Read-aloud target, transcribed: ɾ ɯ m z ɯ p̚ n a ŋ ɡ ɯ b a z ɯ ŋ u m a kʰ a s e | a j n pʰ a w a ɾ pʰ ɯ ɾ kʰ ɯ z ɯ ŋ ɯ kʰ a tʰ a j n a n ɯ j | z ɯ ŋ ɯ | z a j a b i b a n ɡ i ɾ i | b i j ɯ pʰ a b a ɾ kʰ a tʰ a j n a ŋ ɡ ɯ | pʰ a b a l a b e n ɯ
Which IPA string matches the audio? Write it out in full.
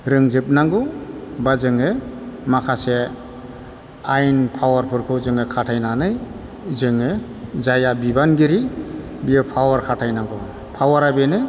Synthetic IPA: ɾ ɯ ŋ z ɯ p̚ n a ŋ ɡ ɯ b a z ɯ ŋ ɯ m a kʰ a s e | a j n pʰ a w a ɾ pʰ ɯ ɾ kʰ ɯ z ɯ ŋ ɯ kʰ a tʰ a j n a n ɯ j | z ɯ ŋ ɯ | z a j a b i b a n ɡ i ɾ i | b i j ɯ pʰ a w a ɾ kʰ a tʰ a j n a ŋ ɡ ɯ | pʰ a w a ɾ a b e n ɯ